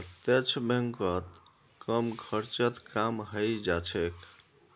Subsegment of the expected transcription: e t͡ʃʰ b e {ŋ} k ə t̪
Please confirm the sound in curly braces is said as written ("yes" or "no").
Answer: yes